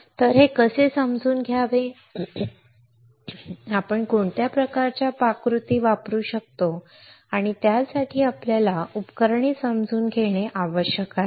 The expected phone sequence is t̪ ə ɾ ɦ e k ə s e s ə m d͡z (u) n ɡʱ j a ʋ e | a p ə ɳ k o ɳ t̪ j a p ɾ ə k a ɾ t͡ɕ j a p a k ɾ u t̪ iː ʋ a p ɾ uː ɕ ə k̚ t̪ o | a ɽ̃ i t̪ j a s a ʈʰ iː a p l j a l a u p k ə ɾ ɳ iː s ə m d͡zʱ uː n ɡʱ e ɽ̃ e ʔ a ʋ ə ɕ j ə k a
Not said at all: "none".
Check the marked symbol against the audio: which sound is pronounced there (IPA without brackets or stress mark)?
uː